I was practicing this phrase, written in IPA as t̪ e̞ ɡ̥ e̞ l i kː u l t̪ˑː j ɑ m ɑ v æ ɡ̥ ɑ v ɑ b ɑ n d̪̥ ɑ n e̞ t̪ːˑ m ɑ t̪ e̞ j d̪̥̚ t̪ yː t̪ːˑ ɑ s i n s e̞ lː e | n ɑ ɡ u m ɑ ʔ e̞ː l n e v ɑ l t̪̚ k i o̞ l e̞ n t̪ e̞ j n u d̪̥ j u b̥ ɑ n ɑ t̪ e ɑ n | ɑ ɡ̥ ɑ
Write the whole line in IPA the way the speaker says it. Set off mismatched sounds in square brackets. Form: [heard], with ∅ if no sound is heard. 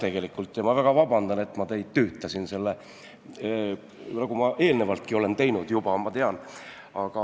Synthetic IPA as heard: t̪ e̞ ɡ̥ e̞ l i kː u l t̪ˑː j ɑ m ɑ v æ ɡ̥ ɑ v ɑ b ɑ n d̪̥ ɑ n e̞ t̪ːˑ m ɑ t̪ e̞ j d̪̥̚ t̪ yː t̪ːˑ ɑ s i n s e̞ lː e | n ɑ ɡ u m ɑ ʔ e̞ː l n e v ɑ l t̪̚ k i o̞ l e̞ n t̪ e̞ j n u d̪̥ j u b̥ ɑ [m] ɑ t̪ e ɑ n | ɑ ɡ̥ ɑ